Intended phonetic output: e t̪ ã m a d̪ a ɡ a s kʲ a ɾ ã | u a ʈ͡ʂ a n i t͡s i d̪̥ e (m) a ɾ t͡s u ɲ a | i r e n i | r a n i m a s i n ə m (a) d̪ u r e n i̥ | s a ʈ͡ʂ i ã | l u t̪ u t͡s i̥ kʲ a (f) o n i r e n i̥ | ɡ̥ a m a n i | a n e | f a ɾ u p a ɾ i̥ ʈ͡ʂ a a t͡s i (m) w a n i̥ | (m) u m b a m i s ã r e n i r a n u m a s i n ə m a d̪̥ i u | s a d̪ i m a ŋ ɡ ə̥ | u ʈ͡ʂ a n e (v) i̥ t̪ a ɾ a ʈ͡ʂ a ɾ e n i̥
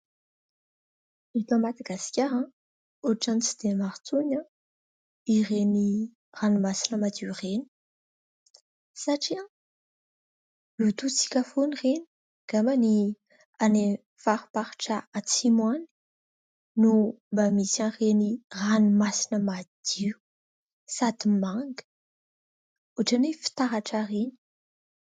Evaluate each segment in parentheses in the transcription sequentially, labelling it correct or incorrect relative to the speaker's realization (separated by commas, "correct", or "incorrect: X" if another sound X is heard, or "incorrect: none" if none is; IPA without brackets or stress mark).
correct, correct, correct, correct, incorrect: n, incorrect: f